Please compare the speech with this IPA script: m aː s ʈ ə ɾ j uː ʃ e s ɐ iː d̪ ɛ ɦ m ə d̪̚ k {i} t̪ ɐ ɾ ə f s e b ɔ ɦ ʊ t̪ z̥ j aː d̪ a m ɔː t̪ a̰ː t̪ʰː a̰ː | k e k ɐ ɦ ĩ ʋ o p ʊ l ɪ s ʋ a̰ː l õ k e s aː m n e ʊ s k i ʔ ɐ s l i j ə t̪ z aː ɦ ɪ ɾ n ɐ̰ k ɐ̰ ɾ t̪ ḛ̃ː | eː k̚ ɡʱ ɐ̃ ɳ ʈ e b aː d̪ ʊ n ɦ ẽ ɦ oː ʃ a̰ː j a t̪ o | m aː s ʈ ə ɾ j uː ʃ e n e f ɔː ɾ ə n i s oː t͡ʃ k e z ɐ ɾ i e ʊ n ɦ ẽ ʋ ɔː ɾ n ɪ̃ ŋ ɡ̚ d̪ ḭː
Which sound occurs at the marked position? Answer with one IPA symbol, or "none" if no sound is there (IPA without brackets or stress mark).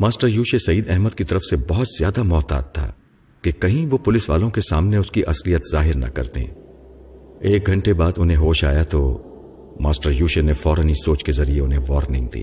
i